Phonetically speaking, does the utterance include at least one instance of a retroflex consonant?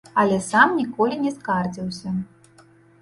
no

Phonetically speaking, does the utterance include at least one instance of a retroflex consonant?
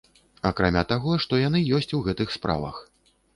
yes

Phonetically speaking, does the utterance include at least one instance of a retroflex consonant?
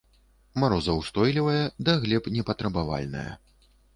no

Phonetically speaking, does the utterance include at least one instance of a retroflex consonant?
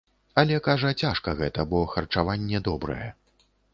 yes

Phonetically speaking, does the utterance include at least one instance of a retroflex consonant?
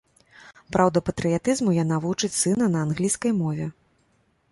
yes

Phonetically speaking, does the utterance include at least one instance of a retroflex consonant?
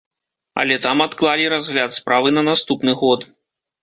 no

